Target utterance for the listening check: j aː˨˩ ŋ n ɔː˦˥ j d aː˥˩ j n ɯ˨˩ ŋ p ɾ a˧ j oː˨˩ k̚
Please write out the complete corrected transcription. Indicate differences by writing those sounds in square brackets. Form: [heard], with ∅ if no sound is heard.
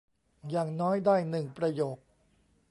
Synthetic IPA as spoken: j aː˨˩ ŋ n ɔː˦˥ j d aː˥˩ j n ɯ˨˩ ŋ p ɾ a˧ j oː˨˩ k̚